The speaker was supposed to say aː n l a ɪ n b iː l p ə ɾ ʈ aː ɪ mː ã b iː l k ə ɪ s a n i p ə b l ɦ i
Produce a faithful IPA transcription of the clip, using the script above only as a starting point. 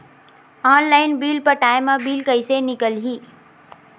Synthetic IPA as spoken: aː n l a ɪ n b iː l p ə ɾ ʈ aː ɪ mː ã b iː l k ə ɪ s e n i k ə l ɦ i